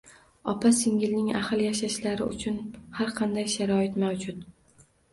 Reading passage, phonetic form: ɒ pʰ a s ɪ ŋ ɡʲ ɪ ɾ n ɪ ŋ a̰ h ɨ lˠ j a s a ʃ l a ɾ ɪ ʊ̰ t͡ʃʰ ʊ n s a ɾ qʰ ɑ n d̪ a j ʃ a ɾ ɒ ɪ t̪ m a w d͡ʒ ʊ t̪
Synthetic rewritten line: ɒ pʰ a s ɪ ŋ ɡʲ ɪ l n ɪ ŋ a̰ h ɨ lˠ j a ʃ a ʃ l a ɾ ɪ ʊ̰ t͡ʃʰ ʊ n h a ɾ qʰ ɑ n d̪ a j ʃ a ɾ ɒ ɪ t̪ m a w d͡ʒ ʊ t̪